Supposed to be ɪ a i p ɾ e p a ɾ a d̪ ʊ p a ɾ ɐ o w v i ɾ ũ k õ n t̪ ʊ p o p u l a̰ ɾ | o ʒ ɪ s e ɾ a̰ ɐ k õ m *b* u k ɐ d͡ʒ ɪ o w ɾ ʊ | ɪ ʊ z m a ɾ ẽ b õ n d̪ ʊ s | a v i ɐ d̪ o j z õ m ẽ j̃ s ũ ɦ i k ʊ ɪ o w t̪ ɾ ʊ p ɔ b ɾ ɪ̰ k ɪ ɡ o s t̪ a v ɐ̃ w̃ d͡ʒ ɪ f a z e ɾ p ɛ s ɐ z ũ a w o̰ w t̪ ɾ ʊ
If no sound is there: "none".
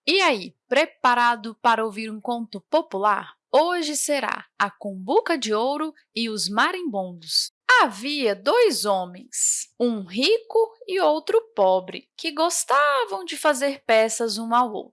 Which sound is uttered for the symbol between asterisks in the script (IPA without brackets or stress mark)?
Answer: b